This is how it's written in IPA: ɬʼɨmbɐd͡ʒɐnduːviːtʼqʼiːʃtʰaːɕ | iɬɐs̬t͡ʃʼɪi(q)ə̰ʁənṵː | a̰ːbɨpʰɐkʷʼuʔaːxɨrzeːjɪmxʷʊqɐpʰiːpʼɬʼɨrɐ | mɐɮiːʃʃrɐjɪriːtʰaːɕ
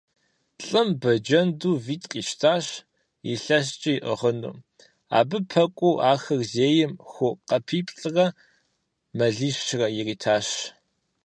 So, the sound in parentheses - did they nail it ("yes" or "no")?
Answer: no